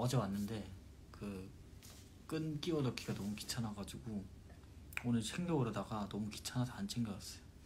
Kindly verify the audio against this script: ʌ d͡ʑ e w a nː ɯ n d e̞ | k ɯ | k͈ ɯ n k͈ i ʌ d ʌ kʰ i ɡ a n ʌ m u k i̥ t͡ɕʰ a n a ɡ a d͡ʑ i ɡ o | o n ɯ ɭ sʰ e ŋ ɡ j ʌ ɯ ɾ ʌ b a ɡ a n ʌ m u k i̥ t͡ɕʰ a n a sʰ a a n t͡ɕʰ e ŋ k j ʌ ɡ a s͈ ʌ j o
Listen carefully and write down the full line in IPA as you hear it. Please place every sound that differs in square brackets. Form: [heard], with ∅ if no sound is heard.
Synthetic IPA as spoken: ʌ d͡ʑ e w a nː ɯ n d e̞ | k ɯ | k͈ ɯ n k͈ i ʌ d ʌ kʰ i ɡ a n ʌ m u k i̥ t͡ɕʰ a n a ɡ a d͡ʑ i ɡ o | o n ɯ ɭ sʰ e ŋ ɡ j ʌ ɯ ɾ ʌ [d] a ɡ a n ʌ m u k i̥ t͡ɕʰ a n a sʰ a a n t͡ɕʰ e ŋ [ɡ] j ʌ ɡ a s͈ ʌ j o